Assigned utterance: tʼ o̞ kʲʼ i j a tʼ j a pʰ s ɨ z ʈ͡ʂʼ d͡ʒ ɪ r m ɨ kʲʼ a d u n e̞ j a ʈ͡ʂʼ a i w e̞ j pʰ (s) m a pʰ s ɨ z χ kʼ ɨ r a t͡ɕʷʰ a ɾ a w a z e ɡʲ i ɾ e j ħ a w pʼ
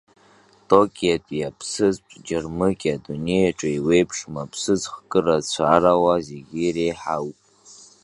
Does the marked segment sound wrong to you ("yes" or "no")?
yes